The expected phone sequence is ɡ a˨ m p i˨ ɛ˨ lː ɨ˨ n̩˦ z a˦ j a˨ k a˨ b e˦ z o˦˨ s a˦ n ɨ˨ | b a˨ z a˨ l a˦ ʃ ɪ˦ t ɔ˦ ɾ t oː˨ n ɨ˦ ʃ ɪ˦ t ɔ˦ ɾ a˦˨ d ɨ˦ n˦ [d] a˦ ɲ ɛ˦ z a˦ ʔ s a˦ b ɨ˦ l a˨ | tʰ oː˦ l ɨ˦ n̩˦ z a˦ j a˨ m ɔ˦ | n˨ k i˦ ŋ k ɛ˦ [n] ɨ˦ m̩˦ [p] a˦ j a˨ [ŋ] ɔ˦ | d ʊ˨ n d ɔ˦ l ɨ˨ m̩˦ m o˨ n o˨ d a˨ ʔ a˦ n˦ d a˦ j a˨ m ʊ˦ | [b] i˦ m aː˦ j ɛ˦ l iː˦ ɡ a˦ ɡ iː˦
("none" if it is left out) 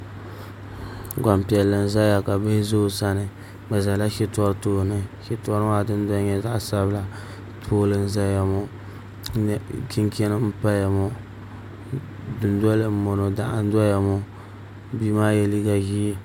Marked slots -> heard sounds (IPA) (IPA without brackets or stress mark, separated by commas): d, n, p, m, b